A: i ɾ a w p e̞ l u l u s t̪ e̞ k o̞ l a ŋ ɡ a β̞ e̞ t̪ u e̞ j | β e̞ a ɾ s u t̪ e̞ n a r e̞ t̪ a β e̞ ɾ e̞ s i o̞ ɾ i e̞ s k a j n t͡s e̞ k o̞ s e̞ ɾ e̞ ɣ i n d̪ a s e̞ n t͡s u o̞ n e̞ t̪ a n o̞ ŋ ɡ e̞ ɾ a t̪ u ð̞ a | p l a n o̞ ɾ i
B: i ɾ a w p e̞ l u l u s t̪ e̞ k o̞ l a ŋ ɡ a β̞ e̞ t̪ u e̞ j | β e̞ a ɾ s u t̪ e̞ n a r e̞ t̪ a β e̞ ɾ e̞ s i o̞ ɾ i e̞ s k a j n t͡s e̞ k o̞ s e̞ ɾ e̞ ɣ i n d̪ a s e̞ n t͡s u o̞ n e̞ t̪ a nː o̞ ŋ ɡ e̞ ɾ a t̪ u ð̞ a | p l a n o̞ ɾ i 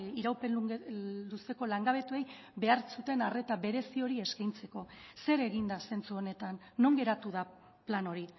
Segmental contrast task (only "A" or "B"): B